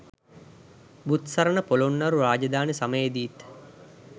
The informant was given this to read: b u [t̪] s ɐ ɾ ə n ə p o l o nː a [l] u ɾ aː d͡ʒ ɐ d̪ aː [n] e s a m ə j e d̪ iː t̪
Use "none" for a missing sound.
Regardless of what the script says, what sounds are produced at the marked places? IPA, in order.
t̪, ɾ, n

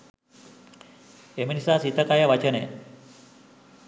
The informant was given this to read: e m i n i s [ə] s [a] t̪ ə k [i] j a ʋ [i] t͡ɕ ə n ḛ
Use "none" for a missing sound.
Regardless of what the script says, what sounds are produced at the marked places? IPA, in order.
a, i, a, a

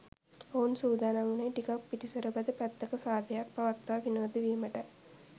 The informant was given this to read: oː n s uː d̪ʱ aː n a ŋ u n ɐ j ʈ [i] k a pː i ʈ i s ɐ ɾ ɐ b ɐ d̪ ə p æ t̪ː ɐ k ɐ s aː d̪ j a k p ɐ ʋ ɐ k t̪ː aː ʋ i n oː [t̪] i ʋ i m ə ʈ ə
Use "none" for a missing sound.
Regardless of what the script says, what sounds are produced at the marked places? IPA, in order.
i, d̪

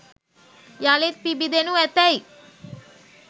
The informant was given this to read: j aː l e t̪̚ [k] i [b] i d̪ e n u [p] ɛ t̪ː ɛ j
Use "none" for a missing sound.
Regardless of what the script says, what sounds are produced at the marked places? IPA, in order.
p, b, none

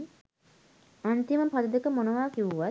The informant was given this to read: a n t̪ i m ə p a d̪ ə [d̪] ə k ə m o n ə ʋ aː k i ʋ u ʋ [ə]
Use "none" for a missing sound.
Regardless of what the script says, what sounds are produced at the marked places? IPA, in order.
d̪, a

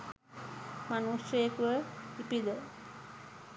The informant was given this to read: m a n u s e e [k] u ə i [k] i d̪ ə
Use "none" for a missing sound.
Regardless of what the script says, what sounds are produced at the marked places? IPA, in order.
k, p

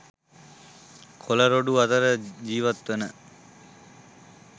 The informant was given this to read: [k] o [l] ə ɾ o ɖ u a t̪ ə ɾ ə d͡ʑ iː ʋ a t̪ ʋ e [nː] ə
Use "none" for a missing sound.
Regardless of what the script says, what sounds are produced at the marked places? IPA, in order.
kʰ, l, n

